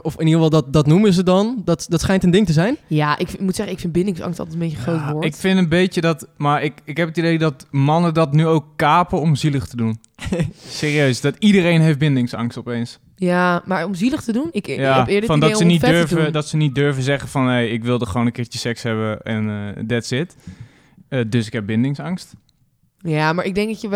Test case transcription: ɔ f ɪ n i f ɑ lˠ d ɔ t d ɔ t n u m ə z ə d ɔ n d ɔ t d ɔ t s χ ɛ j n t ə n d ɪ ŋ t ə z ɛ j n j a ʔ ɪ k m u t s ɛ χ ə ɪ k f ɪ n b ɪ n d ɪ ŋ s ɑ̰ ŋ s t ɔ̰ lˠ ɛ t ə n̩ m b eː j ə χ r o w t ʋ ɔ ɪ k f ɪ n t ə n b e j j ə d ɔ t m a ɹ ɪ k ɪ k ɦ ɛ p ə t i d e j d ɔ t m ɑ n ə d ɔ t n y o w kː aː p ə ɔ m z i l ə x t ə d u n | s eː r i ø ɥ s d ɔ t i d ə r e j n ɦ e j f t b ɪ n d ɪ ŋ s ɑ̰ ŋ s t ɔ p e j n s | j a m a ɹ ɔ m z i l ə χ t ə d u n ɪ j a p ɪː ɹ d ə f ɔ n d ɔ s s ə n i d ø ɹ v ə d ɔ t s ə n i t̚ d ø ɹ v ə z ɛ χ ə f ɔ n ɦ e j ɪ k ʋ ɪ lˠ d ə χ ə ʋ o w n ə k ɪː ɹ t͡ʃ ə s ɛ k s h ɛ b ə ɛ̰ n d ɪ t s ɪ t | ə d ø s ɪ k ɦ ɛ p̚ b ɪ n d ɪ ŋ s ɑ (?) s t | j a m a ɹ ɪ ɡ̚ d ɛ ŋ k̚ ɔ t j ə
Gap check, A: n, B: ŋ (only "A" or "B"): B